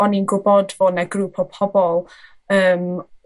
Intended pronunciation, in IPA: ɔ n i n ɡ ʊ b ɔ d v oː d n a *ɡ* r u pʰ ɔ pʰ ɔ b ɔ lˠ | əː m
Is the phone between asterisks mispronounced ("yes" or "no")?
no